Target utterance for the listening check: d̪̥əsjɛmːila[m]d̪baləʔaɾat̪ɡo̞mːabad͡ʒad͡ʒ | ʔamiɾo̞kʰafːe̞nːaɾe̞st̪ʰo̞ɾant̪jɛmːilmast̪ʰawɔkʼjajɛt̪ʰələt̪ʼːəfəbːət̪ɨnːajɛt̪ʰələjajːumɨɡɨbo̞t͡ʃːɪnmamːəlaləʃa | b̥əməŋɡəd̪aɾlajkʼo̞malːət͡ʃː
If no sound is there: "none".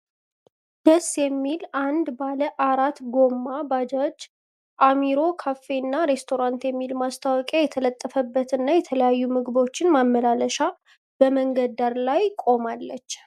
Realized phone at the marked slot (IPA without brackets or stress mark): n